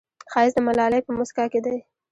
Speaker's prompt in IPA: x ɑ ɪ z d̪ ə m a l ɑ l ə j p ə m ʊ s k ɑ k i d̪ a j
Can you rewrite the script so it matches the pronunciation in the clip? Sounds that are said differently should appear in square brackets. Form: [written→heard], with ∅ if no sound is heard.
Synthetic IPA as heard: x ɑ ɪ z d̪ ə m a l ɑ l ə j p ə m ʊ s k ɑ k [i→e] d̪ a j